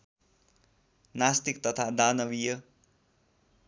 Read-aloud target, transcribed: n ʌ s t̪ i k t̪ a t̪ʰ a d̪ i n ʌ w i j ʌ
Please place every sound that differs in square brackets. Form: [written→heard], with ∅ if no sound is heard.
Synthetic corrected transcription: n [ʌ→a] s t̪ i k t̪ [a→ʌ] t̪ʰ a d̪ [i→a] n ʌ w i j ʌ